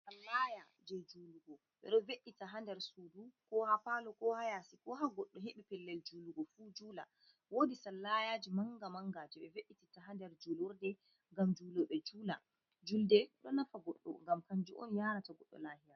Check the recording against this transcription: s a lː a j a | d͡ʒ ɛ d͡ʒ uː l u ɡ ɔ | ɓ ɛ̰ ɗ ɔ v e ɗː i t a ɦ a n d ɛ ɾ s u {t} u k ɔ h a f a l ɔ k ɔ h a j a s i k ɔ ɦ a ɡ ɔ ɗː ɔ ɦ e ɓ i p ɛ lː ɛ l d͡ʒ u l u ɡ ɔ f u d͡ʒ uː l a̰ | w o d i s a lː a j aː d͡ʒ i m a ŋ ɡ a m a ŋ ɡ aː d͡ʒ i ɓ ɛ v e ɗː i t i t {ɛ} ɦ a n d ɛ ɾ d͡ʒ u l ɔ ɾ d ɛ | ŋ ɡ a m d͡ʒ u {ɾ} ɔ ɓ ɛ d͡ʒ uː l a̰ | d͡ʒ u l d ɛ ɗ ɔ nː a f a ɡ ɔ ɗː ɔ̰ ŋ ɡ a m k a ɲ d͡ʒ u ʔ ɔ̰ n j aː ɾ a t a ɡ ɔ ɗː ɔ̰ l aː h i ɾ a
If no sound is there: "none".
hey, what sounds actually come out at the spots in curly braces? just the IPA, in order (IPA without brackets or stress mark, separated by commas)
d, a, l